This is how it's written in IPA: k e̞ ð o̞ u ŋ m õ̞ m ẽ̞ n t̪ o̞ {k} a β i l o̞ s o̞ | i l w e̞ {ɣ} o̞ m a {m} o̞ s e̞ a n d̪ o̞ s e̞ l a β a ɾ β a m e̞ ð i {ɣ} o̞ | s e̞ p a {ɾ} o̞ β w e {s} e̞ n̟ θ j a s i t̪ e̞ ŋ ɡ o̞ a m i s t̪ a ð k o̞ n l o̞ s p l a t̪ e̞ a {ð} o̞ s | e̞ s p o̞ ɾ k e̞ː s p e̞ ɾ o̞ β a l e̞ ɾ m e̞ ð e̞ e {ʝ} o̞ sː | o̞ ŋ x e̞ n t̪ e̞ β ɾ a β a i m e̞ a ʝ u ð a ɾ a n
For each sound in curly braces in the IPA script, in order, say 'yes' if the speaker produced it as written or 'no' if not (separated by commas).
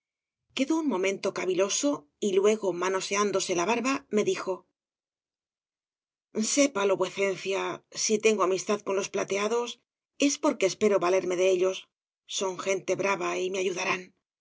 yes, yes, no, no, no, no, yes, no